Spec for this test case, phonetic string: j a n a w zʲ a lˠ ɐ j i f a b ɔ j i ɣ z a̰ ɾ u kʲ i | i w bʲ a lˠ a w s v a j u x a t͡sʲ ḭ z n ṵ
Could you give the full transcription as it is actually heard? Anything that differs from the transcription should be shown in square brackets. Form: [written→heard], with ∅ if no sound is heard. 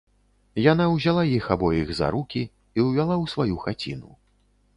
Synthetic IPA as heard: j a n a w zʲ a lˠ [ɐ→a] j i [f→x] a b ɔ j i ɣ z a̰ ɾ u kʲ i | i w [bʲ→vʲ] a lˠ a w s v a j u x a t͡sʲ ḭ [z→∅] n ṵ